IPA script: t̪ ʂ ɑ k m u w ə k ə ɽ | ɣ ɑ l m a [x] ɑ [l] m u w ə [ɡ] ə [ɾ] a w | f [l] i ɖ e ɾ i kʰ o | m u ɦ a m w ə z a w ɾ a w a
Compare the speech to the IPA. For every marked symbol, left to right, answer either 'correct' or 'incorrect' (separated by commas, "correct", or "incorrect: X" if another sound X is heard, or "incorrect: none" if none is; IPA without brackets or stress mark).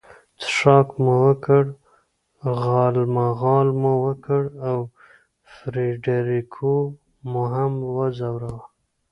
incorrect: ɣ, correct, incorrect: k, incorrect: ɽ, incorrect: ɾ